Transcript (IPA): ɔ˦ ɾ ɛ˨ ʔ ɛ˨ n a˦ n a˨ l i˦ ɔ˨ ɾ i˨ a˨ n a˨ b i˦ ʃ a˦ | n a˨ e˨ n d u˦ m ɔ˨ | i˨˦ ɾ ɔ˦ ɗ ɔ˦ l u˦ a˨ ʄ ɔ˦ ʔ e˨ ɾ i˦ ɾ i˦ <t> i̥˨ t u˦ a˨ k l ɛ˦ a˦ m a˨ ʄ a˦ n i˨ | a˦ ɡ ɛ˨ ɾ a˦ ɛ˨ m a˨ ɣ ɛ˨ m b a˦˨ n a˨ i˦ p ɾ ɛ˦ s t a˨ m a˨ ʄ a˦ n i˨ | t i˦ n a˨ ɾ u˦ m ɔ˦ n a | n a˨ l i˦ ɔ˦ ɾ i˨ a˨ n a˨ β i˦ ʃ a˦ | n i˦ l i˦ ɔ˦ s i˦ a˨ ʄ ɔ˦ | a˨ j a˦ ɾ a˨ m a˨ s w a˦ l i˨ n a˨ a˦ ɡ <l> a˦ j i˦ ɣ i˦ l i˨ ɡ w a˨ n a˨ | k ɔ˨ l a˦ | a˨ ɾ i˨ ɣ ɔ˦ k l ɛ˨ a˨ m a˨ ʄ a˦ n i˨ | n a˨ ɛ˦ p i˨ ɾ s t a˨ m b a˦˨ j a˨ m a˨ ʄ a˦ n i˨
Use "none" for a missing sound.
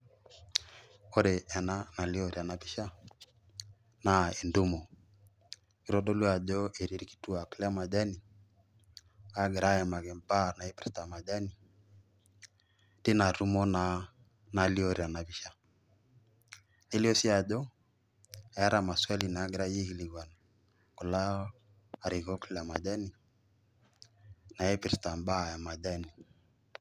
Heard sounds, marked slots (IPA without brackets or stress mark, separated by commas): k, ɾ